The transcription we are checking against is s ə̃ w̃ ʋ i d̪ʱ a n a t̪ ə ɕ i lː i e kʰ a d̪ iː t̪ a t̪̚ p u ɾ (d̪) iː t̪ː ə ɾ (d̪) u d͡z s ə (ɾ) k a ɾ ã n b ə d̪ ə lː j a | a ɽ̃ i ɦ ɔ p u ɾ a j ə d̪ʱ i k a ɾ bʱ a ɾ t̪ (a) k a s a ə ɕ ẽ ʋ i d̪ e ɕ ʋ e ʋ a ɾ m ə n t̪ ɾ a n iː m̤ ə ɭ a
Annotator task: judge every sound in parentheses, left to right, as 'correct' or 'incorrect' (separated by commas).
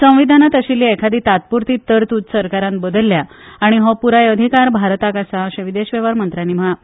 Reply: incorrect, incorrect, correct, correct